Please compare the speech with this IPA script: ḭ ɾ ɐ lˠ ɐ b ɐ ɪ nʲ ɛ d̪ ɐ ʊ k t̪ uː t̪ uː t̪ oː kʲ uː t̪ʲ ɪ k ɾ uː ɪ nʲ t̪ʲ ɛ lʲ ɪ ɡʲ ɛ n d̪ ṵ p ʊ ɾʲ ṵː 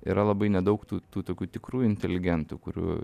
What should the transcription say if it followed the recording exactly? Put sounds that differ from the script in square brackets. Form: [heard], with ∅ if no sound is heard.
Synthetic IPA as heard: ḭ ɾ ɐ lˠ ɐ b ɐ ɪ nʲ ɛ d̪ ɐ ʊ k t̪ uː t̪ uː t̪ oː kʲ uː t̪ʲ ɪ k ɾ uː ɪ nʲ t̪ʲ ɛ lʲ ɪ ɡʲ ɛ n [t̪] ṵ [k] ʊ ɾʲ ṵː